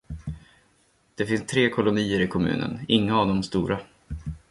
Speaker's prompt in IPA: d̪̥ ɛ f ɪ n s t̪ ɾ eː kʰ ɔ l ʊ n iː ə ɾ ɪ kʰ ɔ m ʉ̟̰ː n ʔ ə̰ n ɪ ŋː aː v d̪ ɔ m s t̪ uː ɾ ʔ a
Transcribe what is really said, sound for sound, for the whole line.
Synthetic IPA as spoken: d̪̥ ɛ f ɪ n s t̪ʰ ɾ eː kʰ ɔ l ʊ n iː ə ɾ ɪ kʰ ɔ m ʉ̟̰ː n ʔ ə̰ n ɪ ŋː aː v d̪ ɔ m s t̪ uː ɾ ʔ a